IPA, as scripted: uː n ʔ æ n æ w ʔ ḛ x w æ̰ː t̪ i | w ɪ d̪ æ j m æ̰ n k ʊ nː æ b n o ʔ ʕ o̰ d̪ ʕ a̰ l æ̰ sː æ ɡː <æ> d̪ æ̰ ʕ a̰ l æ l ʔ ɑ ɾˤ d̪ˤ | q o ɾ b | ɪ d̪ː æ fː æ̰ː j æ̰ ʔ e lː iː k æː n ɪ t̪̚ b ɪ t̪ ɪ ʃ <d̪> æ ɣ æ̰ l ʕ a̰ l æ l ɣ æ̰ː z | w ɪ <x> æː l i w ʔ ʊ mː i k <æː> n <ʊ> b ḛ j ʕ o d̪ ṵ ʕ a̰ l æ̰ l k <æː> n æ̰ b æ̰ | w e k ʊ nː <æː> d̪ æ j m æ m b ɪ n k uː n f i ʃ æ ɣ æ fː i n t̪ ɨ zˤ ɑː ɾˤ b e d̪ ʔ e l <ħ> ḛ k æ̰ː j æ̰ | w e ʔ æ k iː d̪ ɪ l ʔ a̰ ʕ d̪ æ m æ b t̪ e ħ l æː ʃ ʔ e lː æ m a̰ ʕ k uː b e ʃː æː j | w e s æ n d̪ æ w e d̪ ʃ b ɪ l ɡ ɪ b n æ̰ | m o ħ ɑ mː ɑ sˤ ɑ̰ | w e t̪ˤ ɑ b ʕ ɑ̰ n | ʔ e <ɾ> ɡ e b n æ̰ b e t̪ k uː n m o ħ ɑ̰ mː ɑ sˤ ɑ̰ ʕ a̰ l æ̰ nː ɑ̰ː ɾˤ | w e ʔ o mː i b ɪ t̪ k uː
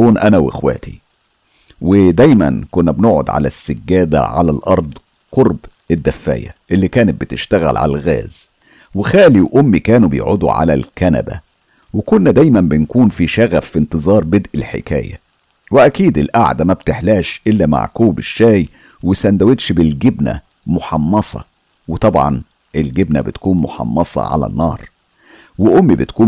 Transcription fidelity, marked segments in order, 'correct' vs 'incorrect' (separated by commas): incorrect, incorrect, correct, correct, incorrect, incorrect, incorrect, correct, incorrect